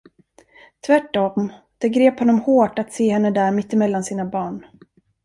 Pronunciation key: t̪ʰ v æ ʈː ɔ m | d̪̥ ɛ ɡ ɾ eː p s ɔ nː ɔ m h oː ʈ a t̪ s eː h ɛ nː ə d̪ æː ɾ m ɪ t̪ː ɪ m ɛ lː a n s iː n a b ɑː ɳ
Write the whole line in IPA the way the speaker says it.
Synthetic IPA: t̪ʰ v æ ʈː ɔ m | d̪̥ ɛ ɡ ɾ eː p h ɔ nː ɔ m h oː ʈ a t̪ s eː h ɛ nː ə d̪ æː ɾ m ɪ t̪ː ɪ m ɛ lː a n s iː n a b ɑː ɳ